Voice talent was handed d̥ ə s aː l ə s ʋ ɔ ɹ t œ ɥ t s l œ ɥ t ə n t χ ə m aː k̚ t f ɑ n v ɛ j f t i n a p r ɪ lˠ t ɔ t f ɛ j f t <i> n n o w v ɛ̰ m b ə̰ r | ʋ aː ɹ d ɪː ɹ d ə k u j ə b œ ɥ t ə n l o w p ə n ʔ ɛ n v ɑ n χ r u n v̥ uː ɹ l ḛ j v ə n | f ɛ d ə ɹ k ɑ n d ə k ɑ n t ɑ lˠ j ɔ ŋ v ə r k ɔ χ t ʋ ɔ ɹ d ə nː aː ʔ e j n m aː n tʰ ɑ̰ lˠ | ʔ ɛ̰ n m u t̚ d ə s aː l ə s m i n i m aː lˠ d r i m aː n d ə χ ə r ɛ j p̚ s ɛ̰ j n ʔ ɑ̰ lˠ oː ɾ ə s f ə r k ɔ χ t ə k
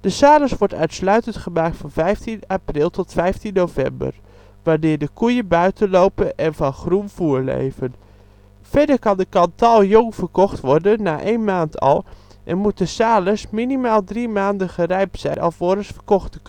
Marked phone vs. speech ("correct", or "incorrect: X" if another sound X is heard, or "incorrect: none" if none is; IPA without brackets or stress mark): correct